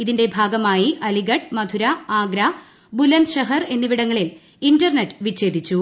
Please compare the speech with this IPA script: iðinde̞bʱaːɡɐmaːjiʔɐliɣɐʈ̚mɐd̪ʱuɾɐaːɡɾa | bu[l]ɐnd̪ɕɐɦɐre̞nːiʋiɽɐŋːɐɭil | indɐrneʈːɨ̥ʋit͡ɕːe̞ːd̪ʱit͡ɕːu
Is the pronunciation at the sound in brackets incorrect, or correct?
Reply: correct